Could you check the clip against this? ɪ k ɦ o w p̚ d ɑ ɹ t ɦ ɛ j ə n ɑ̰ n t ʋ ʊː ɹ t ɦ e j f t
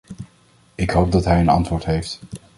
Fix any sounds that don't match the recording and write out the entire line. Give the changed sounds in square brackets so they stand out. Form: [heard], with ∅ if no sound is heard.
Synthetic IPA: ɪ k ɦ o w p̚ d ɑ [∅] t ɦ ɛ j ə n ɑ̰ n t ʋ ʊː ɹ t ɦ e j f t